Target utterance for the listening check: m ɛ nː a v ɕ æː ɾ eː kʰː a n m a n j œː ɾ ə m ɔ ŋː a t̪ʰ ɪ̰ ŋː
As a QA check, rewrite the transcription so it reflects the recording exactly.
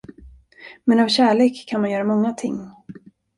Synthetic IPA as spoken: m ɛ n a v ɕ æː ɭ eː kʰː a n m a n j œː ɾ a m ɔ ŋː a t̪ʰ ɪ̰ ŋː

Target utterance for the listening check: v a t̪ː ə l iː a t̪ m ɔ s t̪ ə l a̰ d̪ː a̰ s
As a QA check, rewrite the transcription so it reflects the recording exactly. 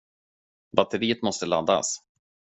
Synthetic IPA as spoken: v a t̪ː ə ɾ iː ə t̪ m ɔ s t̪ ə l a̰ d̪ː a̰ s

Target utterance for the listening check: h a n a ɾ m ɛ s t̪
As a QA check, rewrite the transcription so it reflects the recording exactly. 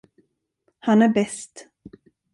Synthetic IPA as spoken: h a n æ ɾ b ɛ s t̪

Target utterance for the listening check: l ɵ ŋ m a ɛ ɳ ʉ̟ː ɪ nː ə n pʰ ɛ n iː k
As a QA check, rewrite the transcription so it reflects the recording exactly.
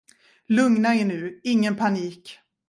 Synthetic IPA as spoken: l ɵ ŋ n a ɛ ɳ ʉ̟ː ɪ ŋː ə n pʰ a n iː k

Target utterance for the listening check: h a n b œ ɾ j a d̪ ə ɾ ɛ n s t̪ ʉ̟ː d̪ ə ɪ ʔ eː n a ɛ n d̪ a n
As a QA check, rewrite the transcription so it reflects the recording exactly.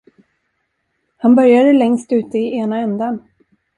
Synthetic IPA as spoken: h a n b œ ɾ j a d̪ ə l ɛ ŋ s t̪ ʉ̟ː t̪ ə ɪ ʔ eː n a ɛ n d̪ a n

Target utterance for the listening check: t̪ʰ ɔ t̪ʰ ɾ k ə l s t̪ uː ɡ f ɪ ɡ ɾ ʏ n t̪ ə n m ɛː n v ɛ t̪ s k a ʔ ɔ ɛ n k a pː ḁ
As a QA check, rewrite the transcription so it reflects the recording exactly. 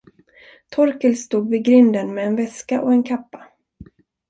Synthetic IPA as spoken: t̪ʰ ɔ ɾ k ə l s t̪ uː ɡ v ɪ ɡ ɾ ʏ n d̪ ə n m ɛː n v ɛ s k a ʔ ɔ ɛ n kʰ a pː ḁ

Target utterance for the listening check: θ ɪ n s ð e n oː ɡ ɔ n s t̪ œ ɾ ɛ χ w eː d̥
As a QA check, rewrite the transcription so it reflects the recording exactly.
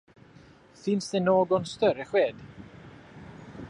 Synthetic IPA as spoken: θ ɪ n s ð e n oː ɡ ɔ n s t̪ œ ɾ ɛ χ w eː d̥

